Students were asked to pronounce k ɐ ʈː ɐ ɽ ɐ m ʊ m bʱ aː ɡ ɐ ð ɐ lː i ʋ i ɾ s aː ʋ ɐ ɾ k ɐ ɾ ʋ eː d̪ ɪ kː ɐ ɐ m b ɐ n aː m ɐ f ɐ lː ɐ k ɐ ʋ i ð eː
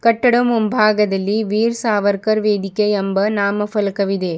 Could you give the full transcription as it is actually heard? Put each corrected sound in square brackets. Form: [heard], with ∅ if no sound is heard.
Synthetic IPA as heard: k ɐ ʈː ɐ ɽ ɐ m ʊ m bʱ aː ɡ ɐ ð ɐ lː i ʋ [iː] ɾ s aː ʋ ɐ ɾ k ɐ ɾ ʋ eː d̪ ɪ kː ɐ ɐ m b ɐ n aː m ɐ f ɐ [l] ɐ k ɐ ʋ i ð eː